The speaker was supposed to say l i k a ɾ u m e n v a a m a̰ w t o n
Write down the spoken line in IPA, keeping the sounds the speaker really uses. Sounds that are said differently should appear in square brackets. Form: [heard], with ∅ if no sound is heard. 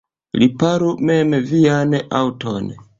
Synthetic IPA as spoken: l i [p] a ɾ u m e [m] v [i] a [n] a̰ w t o n